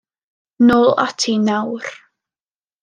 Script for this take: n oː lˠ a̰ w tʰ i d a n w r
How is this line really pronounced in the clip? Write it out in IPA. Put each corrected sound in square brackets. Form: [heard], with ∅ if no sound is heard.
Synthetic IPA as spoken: n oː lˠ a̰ [∅] tʰ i [n] a [∅] w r